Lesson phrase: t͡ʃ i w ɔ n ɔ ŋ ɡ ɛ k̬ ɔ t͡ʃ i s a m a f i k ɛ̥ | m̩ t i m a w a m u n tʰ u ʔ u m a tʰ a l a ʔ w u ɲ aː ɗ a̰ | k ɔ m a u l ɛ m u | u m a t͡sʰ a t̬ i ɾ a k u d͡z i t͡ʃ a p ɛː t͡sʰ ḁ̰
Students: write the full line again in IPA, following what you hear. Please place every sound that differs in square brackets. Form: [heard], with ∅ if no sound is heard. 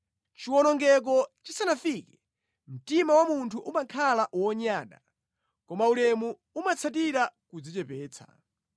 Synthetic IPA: t͡ʃ i w ɔ n ɔ ŋ ɡ ɛ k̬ ɔ t͡ʃ i s a [n] a f i k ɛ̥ | m̩ t i m a w a m u n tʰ u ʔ u m a [kʰ] a l a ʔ w [ɔ] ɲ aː ɗ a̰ | k ɔ m a u l ɛ m u | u m a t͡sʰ a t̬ i ɾ a k u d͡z i t͡ʃ [ɛ] p ɛː t͡sʰ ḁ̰

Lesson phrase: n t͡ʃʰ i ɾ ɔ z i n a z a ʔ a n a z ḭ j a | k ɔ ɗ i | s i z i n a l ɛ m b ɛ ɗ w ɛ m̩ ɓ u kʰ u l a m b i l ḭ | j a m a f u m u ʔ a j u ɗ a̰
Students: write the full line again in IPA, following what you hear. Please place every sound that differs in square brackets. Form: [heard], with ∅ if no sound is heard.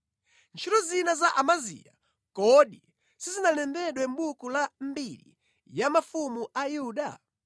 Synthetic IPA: n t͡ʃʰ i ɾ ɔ z i n a z a ʔ a [m] a z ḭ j a | k ɔ ɗ i | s i z i n a l ɛ m b ɛ ɗ w ɛ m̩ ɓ u [k] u l a m b i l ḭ | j a m a f u m u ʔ a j u ɗ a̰

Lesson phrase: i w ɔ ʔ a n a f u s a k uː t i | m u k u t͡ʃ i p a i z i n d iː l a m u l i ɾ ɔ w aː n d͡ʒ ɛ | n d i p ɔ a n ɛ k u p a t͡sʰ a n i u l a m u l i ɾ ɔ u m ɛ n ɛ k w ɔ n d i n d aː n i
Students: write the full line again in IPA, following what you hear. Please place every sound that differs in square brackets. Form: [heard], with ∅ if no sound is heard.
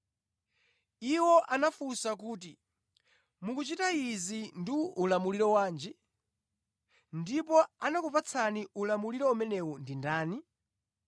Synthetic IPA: i w ɔ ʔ a n a f u s a k uː t i | m u k u t͡ʃ i [t] a i z i n d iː l a m u l i ɾ ɔ w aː n d͡ʒ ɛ | n d i p ɔ a n [a] k u p a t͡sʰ a n i u l a m u l i ɾ ɔ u m ɛ n ɛ [∅] w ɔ n d i n d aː n i

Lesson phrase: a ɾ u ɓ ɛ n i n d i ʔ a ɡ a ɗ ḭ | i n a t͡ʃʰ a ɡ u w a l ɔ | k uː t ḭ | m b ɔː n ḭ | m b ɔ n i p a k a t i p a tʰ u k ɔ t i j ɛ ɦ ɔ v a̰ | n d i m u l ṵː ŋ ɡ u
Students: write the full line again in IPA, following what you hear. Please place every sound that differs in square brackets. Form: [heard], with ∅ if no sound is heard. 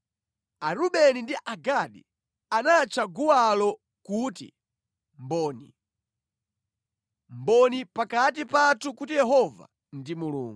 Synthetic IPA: a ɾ u ɓ ɛ n i n d i ʔ a ɡ a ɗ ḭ | [a] n a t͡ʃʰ a ɡ u w a l ɔ | k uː t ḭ | m b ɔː n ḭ | m b ɔ n i p a k a t i p a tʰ u k [u] t i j ɛ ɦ ɔ v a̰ | n d i m u l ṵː ŋ ɡ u

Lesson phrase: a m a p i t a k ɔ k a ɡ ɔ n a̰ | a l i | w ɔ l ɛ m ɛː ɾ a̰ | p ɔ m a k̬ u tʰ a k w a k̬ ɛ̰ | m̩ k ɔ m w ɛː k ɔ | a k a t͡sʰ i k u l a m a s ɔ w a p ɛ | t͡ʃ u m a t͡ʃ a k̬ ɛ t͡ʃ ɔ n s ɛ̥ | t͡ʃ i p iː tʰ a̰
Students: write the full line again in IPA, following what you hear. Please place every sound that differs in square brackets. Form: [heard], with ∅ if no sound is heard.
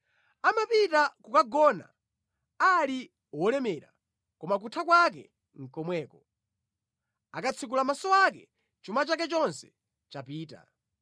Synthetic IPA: a m a p i t a k [u] k a ɡ ɔ n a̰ | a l i | w ɔ l ɛ m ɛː ɾ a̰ | [k] ɔ m a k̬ u tʰ a k w a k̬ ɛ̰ | [ŋ̩] k ɔ m w ɛː k ɔ | a k a t͡sʰ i k u l a m a s ɔ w a [k] ɛ | t͡ʃ u m a t͡ʃ a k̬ ɛ t͡ʃ ɔ n s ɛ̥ | t͡ʃ [a] p iː [t] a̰

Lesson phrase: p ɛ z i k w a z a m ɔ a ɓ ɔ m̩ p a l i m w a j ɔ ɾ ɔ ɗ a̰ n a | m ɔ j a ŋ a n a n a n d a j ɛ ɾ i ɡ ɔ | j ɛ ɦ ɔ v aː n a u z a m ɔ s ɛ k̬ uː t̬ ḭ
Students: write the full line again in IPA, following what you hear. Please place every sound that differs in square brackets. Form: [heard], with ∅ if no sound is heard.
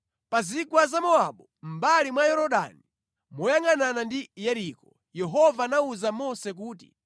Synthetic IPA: p [a] z i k w a z a m ɔ a ɓ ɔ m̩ [b] a l i m w a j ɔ ɾ ɔ ɗ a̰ n [i] | m ɔ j a ŋ a n a n a n d [i] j ɛ ɾ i [k] ɔ | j ɛ ɦ ɔ v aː n a u z a m ɔ s ɛ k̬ uː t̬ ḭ

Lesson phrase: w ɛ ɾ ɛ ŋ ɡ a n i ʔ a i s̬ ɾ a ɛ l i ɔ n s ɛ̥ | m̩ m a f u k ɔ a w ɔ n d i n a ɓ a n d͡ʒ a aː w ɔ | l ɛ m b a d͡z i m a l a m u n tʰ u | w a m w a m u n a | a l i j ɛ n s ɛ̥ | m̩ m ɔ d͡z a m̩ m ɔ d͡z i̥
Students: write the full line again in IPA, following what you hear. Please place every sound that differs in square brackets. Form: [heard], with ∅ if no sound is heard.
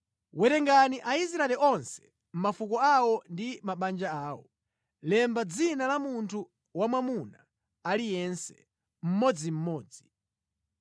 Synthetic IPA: w ɛ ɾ ɛ ŋ ɡ a n i ʔ a i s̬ ɾ a ɛ l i ɔ n s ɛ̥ | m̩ m a f u k ɔ a w ɔ n d i [m] a ɓ a n d͡ʒ a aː w ɔ | l ɛ m b a d͡z i [n] a l a m u n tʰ u | w a m w a m u n a | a l i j ɛ n s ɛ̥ | m̩ m ɔ d͡z [i] m̩ m [ɔː] d͡z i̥

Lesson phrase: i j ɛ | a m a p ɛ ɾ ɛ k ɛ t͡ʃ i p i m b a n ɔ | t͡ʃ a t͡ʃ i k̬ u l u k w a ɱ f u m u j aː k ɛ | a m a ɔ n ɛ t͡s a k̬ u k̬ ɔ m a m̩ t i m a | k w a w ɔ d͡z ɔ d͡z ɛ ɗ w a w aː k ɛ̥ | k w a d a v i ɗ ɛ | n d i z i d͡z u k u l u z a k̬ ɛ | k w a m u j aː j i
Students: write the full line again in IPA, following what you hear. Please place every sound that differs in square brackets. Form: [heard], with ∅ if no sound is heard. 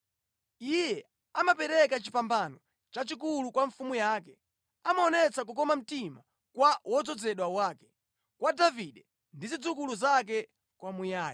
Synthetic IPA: i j ɛ | a m a p ɛ ɾ ɛ k [a] t͡ʃ i p [a] m b a n ɔ | t͡ʃ a t͡ʃ i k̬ u l u k w a ɱ f u m u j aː k ɛ | a m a ɔ n ɛ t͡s a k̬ u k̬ ɔ m a m̩ t i m a | k w a w ɔ d͡z ɔ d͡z ɛ ɗ w a w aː k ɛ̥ | k w a d a v i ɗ ɛ | n d i z i d͡z u k u l u z a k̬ ɛ | k w a m u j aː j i

